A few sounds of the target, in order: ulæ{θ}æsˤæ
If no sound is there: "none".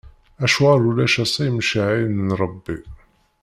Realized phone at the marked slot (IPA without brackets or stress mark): ʃ